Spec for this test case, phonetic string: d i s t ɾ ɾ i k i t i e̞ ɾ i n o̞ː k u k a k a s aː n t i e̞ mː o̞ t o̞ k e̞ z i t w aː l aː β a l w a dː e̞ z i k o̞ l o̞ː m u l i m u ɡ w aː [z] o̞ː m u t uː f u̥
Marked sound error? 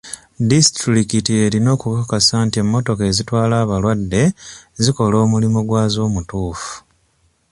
no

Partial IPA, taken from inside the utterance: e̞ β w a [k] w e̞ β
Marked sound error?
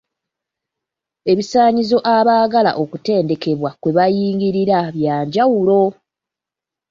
no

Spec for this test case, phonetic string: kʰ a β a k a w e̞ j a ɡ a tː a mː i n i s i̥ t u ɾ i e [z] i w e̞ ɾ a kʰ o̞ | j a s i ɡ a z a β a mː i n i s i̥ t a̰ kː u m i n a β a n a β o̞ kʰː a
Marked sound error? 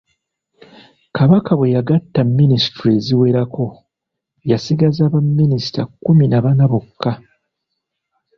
no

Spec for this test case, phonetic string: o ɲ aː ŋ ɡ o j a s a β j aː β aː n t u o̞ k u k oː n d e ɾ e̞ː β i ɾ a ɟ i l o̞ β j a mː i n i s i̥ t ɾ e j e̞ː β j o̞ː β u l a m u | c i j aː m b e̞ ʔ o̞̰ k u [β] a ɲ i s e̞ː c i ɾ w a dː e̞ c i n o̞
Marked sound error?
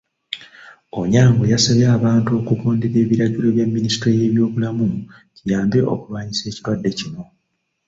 no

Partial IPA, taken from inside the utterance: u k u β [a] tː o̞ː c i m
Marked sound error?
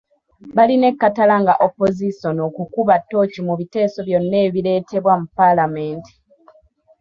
no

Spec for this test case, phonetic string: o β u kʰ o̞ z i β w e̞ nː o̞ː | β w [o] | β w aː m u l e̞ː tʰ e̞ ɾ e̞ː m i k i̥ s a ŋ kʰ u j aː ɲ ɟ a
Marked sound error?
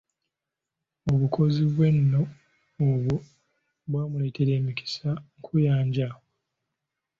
no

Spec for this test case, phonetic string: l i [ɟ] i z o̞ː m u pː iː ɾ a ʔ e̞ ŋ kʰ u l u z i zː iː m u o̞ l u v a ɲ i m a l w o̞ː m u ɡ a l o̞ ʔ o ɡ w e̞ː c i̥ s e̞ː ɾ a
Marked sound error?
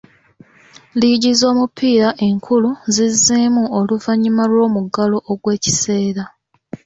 no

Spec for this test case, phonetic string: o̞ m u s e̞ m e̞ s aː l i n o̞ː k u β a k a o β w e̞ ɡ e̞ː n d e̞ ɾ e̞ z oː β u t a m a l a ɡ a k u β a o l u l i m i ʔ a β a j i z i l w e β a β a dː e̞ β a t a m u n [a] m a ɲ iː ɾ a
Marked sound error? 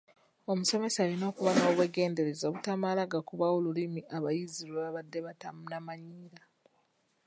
no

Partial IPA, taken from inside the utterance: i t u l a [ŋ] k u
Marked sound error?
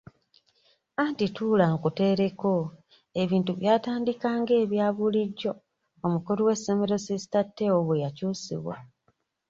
no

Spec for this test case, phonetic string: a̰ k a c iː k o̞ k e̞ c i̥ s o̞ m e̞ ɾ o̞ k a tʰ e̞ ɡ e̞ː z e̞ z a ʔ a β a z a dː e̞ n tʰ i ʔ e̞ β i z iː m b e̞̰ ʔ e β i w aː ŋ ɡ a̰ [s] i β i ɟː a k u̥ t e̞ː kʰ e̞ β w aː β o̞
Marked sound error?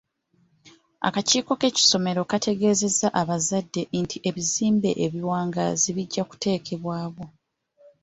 yes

